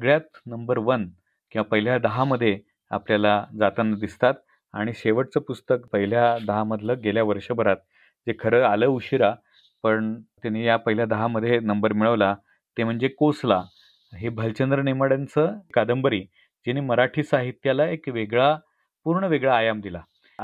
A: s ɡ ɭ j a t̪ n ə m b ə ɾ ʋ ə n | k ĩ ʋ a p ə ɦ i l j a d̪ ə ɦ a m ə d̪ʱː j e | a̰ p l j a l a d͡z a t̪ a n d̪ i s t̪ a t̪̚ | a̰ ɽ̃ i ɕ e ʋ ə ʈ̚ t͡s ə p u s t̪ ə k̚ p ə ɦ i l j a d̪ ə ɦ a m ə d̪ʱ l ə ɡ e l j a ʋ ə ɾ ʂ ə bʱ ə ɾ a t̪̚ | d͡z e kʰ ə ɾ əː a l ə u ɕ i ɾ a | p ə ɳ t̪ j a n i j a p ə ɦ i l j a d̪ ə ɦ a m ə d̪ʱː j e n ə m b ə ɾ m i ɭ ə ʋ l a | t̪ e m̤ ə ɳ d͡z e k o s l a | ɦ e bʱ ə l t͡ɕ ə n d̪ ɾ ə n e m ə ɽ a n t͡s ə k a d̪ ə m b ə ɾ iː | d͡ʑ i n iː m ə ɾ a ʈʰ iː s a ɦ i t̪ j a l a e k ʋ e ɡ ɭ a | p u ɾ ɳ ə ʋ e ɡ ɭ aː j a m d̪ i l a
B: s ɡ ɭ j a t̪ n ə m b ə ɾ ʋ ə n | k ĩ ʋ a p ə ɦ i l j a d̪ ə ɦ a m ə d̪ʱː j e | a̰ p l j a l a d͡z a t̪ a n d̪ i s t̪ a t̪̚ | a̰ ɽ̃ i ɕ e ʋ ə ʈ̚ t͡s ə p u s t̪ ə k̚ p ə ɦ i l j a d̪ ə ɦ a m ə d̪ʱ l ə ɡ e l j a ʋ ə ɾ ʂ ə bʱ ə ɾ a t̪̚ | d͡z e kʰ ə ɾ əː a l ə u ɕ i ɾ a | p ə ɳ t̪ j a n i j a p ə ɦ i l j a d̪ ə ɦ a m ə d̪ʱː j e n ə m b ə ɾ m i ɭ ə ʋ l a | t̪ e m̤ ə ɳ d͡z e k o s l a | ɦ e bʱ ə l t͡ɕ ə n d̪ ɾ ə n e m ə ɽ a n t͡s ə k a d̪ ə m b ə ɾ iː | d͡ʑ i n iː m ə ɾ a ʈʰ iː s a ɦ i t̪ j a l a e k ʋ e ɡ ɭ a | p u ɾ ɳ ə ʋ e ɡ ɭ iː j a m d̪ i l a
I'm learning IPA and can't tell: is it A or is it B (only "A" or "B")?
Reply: A